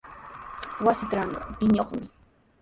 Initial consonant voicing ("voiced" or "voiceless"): voiced